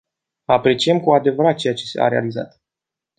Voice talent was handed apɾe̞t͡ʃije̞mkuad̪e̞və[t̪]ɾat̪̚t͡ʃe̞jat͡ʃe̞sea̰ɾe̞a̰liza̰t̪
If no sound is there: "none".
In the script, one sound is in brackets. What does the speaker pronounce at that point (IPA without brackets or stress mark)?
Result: none